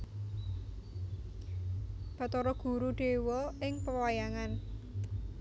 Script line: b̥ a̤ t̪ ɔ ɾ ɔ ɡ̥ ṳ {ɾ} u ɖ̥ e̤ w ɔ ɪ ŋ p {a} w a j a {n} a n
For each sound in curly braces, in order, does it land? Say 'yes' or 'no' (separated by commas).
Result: yes, no, no